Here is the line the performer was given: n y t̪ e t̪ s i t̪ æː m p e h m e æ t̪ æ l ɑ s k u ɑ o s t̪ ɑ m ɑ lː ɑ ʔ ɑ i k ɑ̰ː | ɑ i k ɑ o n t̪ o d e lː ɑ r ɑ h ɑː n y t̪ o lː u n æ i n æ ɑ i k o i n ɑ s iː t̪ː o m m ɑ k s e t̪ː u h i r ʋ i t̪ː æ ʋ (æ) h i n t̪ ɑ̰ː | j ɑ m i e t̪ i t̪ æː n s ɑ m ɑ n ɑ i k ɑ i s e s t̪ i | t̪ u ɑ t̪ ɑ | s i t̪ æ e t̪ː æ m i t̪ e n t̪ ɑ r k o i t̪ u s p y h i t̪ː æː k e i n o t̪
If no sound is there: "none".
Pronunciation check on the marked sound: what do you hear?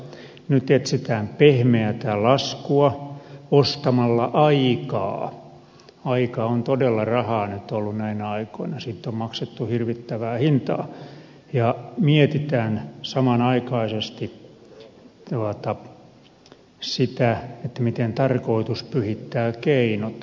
æː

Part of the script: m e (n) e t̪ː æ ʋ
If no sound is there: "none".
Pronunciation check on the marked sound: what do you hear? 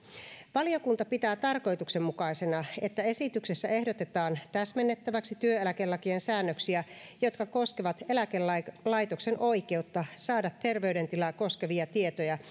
nː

